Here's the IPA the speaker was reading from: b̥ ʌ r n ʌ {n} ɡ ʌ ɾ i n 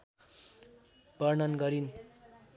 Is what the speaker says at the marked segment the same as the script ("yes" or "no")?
yes